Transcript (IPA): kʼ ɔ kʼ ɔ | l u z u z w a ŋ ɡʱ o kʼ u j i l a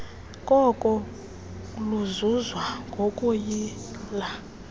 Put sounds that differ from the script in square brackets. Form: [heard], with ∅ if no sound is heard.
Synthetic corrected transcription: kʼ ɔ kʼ ɔ | l u z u z w a ŋ ɡʱ o kʼ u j i l a